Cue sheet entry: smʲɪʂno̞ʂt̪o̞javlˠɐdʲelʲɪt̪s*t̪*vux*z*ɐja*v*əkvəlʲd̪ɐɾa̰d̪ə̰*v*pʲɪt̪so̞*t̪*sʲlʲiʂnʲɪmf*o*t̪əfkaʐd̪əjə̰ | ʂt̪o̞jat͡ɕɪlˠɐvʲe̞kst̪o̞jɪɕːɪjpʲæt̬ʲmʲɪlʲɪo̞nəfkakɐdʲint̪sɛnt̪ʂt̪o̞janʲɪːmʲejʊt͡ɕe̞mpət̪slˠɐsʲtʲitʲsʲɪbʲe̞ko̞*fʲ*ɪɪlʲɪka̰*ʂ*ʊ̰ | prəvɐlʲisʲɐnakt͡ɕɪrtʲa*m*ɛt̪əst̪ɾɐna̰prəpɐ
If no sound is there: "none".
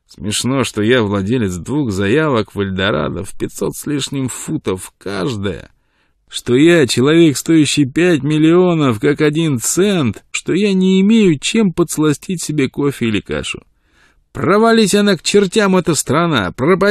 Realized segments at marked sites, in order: d̪, z, v, f, t̪, u, fʲ, ʂ, m

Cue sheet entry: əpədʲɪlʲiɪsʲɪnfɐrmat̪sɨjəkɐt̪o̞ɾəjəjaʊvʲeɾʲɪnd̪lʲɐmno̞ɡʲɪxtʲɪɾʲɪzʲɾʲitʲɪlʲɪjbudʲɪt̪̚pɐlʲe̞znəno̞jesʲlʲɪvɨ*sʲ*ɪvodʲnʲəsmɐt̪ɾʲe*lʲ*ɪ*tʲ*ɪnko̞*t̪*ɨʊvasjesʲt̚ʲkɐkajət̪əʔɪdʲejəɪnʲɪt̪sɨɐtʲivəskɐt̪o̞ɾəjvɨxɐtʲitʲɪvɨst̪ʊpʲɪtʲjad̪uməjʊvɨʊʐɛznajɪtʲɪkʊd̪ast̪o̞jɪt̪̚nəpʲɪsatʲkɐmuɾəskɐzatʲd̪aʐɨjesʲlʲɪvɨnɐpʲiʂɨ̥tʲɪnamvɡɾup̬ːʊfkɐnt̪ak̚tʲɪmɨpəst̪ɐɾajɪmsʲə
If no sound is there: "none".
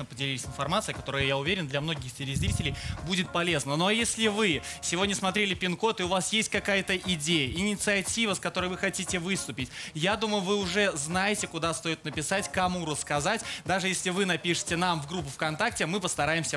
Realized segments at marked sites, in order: sʲ, lʲ, pʲ, t̪

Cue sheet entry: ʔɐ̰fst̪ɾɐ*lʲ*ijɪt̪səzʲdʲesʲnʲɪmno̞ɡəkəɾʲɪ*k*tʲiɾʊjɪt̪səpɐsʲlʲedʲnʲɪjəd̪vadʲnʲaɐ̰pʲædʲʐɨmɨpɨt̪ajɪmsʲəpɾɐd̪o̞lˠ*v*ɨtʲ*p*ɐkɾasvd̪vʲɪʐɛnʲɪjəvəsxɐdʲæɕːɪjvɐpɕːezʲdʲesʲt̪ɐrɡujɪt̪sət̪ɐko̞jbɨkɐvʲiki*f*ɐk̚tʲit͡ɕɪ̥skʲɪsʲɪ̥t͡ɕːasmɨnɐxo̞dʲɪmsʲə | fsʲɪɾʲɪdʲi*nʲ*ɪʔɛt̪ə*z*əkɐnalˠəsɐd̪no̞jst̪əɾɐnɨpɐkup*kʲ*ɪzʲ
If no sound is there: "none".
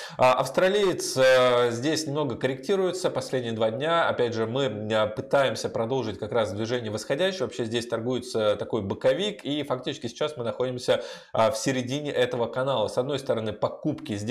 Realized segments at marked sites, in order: lʲ, k, ʐ, k, f, nʲ, v, kʲ

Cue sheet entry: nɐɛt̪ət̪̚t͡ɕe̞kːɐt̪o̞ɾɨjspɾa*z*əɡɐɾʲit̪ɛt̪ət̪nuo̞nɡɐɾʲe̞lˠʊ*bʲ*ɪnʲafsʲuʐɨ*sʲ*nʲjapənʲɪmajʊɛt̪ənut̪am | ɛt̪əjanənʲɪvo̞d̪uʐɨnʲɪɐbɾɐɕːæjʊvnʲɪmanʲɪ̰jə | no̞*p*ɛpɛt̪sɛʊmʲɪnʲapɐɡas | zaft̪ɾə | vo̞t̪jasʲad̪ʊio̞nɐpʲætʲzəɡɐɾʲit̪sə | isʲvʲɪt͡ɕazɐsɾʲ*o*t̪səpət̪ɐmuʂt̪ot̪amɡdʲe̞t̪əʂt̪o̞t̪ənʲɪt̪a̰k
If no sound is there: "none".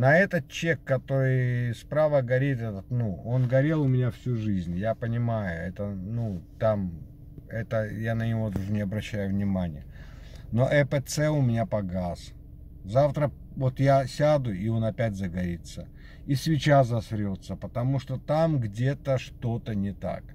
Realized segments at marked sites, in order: v, mʲ, zʲ, ʔ, o

